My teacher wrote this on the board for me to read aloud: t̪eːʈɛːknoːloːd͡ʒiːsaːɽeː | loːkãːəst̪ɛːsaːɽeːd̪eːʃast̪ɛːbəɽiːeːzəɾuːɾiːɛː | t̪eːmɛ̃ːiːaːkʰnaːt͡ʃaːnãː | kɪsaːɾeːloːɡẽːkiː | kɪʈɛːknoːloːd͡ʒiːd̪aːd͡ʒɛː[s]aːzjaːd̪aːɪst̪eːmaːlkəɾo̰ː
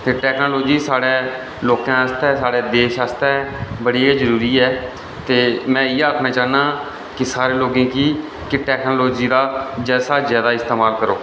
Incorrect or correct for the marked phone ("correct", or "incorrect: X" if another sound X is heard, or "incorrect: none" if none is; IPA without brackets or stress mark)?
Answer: correct